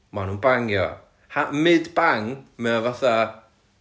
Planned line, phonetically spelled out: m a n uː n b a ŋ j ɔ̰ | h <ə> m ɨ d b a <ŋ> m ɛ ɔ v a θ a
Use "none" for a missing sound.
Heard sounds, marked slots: a, ŋ

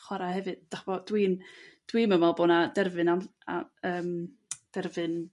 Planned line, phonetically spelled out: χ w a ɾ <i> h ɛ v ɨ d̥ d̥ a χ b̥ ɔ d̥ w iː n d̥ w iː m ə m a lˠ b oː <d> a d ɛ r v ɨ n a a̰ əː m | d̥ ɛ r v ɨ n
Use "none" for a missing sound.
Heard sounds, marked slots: a, n

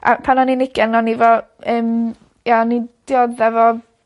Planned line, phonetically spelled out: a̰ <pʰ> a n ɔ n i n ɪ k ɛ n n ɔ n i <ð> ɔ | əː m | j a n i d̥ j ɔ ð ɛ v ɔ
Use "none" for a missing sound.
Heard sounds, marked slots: pʰ, v

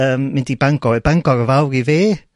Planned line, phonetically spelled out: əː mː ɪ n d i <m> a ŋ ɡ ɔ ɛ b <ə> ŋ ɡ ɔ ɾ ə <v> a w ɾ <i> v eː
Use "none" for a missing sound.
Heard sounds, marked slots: b, a, v, i

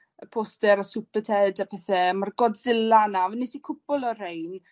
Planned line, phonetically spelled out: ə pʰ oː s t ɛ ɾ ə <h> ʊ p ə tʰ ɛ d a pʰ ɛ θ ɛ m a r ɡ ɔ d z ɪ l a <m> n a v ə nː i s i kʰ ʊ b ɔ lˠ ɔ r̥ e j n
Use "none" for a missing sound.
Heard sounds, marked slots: s, none

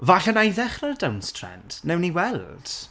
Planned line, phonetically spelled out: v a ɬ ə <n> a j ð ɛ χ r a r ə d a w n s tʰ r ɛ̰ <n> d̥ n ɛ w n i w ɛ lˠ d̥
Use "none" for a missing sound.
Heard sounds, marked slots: n, n

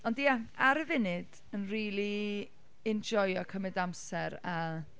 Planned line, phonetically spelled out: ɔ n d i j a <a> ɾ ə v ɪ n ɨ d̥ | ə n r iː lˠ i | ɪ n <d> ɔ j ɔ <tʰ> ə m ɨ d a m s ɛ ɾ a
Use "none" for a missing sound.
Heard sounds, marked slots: a, d͡ʒ, kʰ

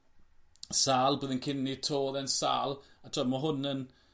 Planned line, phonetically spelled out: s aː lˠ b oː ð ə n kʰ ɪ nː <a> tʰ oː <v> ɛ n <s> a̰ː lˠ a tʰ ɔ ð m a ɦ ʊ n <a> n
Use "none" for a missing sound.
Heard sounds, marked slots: i, ð, s, ə

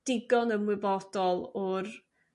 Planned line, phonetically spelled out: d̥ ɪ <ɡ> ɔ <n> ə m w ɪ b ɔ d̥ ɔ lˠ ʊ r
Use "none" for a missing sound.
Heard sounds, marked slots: ɡ, n

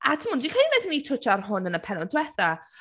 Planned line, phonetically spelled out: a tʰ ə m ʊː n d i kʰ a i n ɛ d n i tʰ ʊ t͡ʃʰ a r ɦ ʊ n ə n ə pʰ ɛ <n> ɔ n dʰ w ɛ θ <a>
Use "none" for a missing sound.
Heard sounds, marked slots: n, a

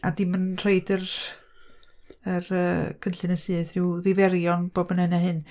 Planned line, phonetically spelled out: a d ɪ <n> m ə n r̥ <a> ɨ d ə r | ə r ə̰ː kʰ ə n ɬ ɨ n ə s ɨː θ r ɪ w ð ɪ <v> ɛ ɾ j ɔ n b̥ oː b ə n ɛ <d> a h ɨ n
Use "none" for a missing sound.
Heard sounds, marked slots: none, e, v, n

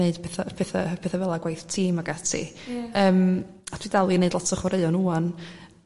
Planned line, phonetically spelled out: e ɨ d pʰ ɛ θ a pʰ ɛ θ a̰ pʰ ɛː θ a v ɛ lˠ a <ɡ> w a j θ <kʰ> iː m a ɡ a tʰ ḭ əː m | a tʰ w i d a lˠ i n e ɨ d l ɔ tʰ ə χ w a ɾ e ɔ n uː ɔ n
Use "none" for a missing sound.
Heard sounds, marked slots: ɡ, tʰ

